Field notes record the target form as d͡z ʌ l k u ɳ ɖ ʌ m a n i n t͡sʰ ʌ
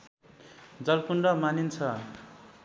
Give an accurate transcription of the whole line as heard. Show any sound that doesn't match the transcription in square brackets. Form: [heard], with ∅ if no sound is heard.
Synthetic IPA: d͡z ʌ l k u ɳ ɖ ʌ m a n i n t͡sʰ ʌ